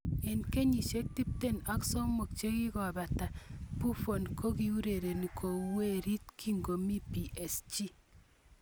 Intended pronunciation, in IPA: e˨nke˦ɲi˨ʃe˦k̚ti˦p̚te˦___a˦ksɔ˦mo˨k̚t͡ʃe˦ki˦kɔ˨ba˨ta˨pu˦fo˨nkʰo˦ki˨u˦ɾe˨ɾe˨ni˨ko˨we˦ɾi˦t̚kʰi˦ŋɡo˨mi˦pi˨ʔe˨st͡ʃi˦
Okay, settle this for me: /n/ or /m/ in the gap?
n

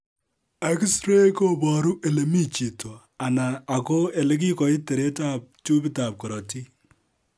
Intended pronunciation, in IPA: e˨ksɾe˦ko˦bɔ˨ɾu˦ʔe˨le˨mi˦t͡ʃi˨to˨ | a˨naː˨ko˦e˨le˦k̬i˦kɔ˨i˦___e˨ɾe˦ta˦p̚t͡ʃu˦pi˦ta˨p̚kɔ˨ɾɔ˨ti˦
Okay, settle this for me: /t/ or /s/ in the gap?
t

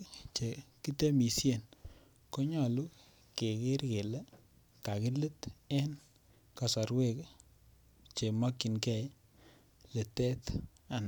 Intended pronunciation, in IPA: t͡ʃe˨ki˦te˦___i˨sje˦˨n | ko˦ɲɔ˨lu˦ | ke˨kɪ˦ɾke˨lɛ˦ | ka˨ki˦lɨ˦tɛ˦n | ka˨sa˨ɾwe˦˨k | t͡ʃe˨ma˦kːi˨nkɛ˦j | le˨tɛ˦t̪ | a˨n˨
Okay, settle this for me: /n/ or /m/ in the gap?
m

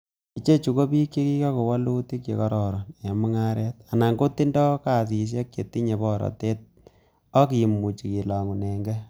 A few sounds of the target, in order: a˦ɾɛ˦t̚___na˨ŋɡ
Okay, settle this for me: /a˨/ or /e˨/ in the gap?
a˨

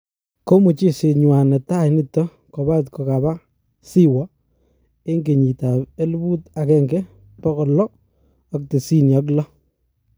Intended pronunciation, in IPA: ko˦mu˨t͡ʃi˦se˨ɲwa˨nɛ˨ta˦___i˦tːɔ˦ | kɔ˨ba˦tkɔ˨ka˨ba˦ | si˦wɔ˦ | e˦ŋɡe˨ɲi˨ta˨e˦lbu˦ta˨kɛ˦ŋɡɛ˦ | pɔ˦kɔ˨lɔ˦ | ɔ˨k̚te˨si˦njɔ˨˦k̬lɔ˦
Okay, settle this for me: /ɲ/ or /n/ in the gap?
n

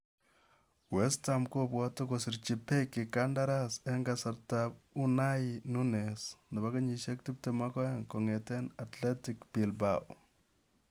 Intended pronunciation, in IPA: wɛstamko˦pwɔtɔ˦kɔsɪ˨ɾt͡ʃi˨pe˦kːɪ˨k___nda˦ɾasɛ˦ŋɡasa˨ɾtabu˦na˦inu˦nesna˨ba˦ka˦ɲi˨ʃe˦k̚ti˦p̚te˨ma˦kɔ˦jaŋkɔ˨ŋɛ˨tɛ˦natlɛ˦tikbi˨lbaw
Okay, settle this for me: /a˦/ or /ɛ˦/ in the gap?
a˦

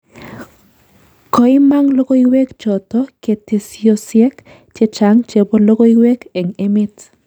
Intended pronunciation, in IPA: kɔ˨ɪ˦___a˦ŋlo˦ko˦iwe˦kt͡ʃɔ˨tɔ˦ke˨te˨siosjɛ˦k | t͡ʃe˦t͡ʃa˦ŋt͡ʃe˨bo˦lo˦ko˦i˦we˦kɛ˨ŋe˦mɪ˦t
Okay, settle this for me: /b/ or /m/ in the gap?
m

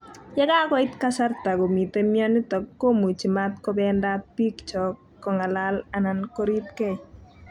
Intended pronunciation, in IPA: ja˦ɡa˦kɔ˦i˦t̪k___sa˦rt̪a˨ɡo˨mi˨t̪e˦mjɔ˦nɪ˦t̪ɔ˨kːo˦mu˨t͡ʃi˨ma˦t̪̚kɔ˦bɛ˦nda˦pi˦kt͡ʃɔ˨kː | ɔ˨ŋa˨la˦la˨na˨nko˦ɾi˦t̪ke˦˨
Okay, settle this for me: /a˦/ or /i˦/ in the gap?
a˦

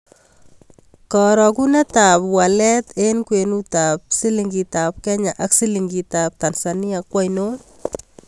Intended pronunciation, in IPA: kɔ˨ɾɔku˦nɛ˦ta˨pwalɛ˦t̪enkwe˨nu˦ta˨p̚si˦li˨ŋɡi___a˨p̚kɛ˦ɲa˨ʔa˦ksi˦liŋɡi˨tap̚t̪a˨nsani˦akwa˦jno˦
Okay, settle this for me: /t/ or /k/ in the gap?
t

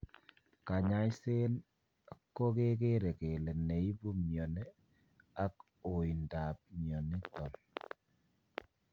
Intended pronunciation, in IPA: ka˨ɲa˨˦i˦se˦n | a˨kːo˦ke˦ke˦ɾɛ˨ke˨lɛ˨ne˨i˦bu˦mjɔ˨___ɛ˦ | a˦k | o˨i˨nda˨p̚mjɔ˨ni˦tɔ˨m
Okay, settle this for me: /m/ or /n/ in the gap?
n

